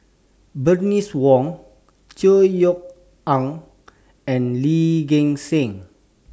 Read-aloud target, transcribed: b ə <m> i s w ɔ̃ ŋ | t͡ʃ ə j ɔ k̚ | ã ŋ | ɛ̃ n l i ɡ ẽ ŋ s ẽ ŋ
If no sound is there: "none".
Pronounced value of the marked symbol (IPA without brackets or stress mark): n